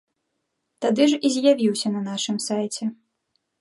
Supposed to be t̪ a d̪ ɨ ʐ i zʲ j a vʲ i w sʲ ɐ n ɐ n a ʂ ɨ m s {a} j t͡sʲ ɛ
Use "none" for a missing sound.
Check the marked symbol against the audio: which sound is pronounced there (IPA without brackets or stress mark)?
a